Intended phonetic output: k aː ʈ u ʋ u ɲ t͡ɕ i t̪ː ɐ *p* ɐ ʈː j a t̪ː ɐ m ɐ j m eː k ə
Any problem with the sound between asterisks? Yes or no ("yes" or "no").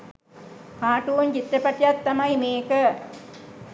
no